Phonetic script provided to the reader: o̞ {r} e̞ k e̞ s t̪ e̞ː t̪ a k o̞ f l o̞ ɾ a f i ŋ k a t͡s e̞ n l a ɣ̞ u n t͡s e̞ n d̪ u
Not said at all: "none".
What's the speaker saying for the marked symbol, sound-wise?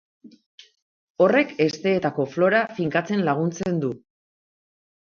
r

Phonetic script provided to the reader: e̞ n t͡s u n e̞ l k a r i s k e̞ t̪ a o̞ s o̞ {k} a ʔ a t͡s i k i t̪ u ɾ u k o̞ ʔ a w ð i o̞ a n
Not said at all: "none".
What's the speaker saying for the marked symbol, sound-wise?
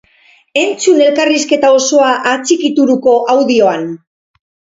none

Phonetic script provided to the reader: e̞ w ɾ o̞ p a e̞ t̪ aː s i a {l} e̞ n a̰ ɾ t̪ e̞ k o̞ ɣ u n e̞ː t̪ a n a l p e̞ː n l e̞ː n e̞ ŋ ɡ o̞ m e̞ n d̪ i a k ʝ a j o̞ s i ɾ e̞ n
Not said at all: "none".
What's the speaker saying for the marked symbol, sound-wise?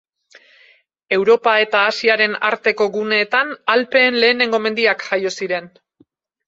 ɾ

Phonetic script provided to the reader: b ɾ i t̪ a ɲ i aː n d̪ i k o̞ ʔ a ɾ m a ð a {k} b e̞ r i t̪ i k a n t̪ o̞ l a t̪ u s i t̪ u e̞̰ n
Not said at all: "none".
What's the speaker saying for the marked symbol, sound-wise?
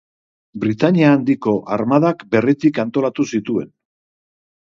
k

